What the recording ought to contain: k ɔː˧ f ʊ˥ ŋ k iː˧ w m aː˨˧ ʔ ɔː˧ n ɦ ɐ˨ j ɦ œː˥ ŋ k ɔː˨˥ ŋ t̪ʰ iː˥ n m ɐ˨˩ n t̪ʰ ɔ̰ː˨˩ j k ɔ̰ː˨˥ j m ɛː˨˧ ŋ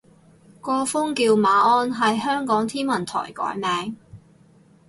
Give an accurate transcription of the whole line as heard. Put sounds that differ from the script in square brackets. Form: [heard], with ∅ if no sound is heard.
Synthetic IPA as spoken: k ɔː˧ f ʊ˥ ŋ k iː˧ w m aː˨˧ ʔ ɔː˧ n ɦ ɐ˨ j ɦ œː˥ ŋ k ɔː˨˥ ŋ t̪ʰ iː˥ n m ɐ˨˩ n t̪ʰ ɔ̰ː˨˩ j k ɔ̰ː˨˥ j m ɛː˨˧ ŋ